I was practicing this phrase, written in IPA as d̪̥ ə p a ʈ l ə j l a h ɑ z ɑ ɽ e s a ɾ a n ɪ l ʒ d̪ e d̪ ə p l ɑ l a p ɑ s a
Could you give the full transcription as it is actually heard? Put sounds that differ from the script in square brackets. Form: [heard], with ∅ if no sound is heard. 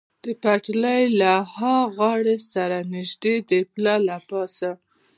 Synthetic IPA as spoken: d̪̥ ə p a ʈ l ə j l a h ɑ [ɣ] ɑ ɽ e s a ɾ a n ɪ [∅] ʒ d̪ e d̪ ə p l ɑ l a p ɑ s a

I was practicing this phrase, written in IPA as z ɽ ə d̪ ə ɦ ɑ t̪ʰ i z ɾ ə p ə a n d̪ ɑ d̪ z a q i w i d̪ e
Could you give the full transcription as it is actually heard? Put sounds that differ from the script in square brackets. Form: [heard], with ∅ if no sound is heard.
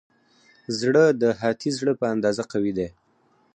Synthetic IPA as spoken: z ɽ ə d̪ ə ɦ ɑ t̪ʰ i z [ɽ] ə p ə a n d̪ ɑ [∅] z a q [a] w i d̪ e

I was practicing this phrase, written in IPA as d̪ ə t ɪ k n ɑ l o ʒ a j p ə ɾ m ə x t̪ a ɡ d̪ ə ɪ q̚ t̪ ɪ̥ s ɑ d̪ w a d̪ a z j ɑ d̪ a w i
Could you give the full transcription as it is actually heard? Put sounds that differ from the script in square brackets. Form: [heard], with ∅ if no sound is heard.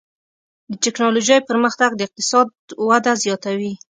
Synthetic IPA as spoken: d̪ ə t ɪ k n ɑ l o ʒ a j p ə ɾ m ə x t̪ a ɡ d̪ ə ɪ q̚ t̪ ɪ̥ s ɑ d̪ w a d̪ a z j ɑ [t̪] a w i

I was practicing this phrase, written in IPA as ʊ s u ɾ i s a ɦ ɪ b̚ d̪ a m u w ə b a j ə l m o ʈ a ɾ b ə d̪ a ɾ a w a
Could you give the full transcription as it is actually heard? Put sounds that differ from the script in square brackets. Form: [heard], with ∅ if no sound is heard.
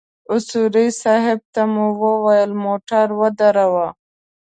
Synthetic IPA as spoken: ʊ s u ɾ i s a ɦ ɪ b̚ [t̪] a m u w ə [w] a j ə l m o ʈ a ɾ [w] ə d̪ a ɾ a w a

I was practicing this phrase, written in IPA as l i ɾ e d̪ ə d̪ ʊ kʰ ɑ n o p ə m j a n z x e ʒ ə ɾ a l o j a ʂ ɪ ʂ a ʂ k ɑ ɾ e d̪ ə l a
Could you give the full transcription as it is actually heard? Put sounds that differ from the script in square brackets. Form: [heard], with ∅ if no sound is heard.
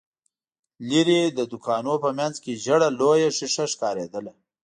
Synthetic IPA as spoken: l i ɾ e d̪ ə d̪ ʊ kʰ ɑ n o p ə m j a n z [k] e ʒ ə [ɽ] a l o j a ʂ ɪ ʂ a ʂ k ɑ ɾ e d̪ ə l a

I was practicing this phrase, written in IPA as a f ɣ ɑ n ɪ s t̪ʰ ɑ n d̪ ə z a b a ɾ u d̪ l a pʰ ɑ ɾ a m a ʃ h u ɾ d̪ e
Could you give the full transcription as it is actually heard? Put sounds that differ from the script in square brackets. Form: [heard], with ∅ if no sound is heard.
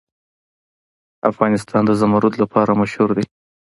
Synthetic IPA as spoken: a f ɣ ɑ n ɪ s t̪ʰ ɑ n d̪ ə z a [m] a ɾ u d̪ l a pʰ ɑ ɾ a m a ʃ h u ɾ d̪ e

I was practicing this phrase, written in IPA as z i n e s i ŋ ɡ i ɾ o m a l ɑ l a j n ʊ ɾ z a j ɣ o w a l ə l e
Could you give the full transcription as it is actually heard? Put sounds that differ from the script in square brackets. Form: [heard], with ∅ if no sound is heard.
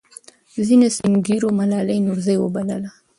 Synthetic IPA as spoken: z i n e s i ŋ ɡ i ɾ o m a l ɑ l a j n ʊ ɾ z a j [w] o [b] a l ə l [a]

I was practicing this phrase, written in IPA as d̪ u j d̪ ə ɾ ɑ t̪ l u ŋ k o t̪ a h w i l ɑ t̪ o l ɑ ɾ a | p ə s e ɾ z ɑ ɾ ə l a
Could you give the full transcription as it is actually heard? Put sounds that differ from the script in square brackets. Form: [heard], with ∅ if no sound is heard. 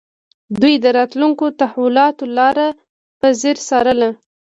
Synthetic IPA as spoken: d̪ u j d̪ ə ɾ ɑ t̪ l u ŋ k o t̪ a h w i l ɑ t̪ o l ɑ ɾ a | p ə [z] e ɾ [s] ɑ ɾ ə l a

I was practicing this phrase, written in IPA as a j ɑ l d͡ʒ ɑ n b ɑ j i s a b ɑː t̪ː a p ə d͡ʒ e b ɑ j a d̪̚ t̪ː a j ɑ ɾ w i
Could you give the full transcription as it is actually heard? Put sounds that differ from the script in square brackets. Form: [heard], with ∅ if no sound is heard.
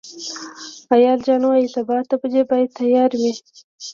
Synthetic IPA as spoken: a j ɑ l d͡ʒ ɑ n [w] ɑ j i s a b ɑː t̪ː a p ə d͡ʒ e b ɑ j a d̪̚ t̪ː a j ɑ ɾ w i

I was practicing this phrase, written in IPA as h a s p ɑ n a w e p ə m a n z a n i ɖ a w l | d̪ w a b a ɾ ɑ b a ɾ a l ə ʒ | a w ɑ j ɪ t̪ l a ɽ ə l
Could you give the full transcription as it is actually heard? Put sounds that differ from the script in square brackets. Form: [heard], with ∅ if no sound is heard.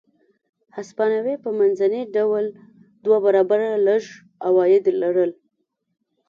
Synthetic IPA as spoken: h a s p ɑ n a w e p ə m a n z a n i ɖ a w l | d̪ w a b a ɾ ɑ b a ɾ a l ə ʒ | a w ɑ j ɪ [d̪] l a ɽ ə l

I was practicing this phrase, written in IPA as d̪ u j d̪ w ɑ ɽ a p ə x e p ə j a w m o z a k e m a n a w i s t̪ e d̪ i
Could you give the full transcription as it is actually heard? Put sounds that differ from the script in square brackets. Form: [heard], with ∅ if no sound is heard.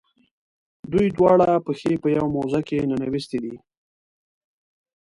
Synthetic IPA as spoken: d̪ u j d̪ w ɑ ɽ a p ə x e p ə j a w m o z a k e [n] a n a w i s t̪ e d̪ i

